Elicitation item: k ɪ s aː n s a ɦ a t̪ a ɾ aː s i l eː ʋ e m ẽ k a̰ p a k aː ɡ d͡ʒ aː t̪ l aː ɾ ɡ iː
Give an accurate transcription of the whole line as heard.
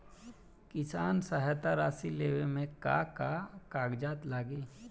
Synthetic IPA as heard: k ɪ s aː n s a ɦ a t̪ a ɾ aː s i l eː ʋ e m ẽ k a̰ k a k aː ɡ d͡ʒ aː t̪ l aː ɡ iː